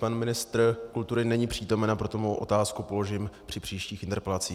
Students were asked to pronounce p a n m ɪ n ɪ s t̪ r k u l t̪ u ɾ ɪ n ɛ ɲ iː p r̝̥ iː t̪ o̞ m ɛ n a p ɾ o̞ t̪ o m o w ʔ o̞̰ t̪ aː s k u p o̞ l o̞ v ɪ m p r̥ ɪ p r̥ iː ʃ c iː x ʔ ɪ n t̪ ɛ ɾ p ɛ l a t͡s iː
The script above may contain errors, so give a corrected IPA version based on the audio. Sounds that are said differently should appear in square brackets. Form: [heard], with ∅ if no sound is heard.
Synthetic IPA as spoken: p a n m ɪ n ɪ s t̪ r k u l t̪ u ɾ ɪ n ɛ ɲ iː p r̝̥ iː t̪ o̞ m ɛ n a p ɾ o̞ t̪ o m o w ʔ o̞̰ t̪ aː s k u p o̞ l o̞ [ʒ] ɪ m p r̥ ɪ p r̥ iː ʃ c iː x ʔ ɪ n t̪ ɛ ɾ p ɛ l a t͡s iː